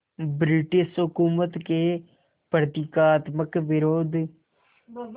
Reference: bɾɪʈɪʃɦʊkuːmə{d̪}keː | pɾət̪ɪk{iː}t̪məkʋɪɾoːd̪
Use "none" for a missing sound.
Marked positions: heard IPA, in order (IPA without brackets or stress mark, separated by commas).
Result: t̪, aː